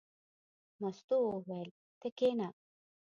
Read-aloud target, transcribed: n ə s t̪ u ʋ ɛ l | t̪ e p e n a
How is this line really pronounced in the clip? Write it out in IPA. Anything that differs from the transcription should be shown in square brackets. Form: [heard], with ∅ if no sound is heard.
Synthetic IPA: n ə s t̪ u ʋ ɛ l | t̪ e [k] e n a